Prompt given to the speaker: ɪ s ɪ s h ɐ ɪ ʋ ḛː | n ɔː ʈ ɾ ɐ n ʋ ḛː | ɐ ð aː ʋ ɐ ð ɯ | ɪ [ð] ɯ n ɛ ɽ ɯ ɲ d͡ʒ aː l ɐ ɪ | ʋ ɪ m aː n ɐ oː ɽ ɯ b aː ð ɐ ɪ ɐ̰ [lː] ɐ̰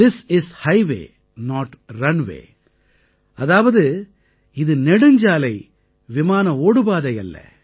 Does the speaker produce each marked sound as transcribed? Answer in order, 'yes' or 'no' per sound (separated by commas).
yes, yes